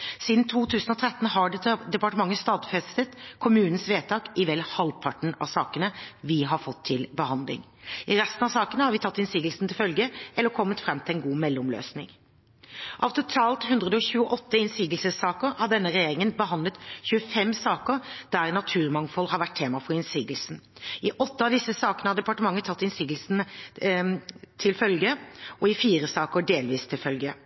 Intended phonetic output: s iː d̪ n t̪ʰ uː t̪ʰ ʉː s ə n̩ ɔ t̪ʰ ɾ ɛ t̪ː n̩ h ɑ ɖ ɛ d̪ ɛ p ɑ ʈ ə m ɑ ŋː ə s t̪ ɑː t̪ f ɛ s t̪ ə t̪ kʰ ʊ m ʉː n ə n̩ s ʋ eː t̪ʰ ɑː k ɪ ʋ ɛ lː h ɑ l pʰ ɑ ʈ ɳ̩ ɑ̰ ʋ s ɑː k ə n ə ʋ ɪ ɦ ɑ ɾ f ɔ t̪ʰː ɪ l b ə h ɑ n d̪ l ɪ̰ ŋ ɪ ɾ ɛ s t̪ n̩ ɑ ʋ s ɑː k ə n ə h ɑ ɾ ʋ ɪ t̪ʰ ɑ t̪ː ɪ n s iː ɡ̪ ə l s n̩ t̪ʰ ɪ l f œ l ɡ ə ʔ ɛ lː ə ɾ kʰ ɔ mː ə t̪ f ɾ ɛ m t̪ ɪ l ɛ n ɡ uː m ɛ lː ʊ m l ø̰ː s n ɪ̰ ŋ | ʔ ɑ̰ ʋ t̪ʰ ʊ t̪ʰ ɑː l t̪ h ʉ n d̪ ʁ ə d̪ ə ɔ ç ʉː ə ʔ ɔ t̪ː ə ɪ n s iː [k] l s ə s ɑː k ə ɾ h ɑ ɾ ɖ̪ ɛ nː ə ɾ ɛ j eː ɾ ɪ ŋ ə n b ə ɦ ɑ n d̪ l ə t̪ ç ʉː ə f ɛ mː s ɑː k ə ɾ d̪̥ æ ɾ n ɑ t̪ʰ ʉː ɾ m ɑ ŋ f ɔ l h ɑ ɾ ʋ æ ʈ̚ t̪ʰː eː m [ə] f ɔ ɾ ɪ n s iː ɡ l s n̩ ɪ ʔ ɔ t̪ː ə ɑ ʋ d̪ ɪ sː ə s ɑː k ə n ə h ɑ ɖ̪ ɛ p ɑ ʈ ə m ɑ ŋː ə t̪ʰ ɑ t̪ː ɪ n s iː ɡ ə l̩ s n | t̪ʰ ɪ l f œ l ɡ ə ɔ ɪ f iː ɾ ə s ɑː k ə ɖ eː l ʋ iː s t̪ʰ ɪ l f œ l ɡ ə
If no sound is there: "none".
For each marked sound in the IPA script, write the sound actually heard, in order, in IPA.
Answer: ɡ, ɑ

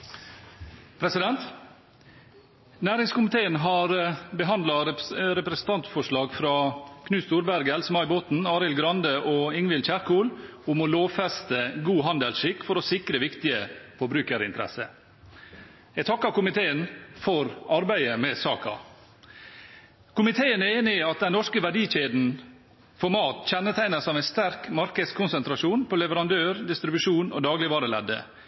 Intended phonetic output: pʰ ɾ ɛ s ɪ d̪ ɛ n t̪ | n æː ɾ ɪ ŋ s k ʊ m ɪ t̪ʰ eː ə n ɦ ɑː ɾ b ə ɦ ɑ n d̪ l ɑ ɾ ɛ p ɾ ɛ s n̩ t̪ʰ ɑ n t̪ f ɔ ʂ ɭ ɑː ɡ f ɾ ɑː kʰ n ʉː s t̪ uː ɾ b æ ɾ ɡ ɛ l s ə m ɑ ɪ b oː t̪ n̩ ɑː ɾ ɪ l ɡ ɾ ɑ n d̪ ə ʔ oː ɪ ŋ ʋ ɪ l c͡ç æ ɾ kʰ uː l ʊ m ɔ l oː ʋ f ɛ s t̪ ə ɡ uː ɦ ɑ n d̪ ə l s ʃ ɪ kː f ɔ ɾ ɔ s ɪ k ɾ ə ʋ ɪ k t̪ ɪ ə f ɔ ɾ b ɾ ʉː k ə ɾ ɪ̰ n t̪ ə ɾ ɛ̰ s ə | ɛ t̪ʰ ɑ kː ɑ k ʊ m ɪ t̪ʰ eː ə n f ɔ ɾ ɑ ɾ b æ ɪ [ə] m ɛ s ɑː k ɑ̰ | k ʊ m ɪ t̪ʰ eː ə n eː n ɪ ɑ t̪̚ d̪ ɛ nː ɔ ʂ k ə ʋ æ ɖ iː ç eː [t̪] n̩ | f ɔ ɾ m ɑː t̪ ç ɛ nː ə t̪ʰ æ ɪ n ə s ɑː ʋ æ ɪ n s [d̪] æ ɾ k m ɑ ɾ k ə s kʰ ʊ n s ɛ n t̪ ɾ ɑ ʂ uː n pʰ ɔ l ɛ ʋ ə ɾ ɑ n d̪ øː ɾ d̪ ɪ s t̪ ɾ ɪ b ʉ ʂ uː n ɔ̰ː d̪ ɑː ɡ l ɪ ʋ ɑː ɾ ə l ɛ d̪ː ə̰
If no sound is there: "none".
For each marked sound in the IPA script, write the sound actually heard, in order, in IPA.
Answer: ə, d̪, t̪

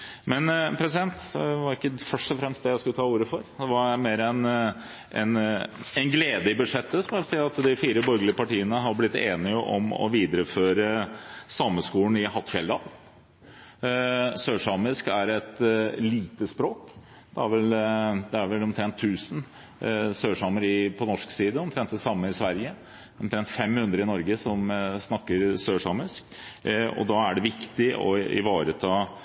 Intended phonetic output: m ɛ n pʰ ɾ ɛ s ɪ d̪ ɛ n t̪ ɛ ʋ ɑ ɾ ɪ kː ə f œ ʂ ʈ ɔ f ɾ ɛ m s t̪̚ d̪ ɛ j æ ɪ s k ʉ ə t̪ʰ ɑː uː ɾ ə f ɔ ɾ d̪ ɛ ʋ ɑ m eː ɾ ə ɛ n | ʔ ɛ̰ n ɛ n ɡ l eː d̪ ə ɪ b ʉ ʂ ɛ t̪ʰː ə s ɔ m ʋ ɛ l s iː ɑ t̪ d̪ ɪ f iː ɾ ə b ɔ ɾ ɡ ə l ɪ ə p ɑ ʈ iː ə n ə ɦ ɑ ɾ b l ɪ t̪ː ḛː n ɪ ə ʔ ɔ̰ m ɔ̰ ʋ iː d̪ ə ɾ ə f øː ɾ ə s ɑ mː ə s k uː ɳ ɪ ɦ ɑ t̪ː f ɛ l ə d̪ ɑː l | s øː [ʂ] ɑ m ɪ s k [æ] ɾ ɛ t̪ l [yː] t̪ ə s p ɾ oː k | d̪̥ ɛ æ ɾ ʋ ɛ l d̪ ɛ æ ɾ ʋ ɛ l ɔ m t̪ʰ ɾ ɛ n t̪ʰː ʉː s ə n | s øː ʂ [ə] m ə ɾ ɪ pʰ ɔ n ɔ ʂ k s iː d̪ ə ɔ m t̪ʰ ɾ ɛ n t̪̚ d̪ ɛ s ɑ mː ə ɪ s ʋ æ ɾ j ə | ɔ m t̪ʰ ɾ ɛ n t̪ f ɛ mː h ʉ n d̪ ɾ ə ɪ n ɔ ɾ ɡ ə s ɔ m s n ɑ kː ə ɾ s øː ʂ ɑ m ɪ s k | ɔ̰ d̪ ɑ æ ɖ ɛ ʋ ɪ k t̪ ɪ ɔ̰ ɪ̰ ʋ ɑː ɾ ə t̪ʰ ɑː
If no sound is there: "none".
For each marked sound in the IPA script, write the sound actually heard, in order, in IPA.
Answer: ʂ, æ, iː, ɑ

